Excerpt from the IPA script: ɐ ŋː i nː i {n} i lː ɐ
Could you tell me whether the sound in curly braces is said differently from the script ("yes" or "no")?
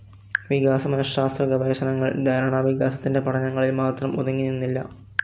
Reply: yes